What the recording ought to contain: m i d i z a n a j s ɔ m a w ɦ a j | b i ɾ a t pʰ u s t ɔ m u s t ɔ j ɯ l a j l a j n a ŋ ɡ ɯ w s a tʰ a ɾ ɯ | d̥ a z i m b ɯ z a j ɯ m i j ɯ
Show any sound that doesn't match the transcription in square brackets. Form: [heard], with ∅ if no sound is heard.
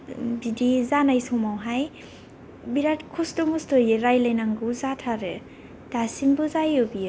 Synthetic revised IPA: [b] i d i z a n a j s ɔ m a w ɦ a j | b i ɾ a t [kʰ] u s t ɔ m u s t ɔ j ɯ [ɾ] a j l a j n a ŋ ɡ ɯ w [z] a tʰ a ɾ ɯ | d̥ a [s] i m b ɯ z a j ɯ [b] i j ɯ